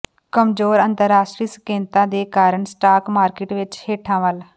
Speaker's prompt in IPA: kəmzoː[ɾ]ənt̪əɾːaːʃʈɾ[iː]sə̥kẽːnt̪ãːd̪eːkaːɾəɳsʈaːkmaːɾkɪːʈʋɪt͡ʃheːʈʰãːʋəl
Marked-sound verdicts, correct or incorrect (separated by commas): correct, correct